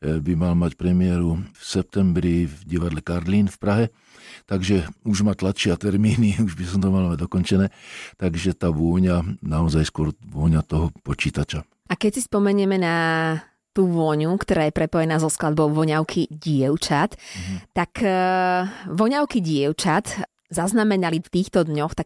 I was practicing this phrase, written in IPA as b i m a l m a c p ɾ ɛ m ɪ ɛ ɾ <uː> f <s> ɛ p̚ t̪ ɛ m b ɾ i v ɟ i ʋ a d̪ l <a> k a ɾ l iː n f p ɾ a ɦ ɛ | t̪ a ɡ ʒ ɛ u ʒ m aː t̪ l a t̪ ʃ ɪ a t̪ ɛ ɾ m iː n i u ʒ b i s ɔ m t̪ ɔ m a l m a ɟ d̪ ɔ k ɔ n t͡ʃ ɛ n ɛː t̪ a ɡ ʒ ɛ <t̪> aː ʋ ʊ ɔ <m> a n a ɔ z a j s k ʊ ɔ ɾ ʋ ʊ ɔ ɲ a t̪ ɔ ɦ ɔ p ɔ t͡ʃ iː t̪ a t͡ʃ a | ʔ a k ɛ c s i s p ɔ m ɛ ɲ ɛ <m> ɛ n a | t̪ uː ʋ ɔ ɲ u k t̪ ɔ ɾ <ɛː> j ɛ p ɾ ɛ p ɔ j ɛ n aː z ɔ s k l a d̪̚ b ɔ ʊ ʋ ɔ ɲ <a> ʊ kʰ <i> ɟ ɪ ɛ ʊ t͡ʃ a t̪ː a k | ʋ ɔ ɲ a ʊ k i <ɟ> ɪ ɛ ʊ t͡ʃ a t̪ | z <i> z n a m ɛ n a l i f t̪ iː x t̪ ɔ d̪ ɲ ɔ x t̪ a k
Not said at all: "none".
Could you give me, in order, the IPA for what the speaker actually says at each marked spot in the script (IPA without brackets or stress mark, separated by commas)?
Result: u, s, ɛ, t̪, ɲ, m, aː, a, i, ɟ, a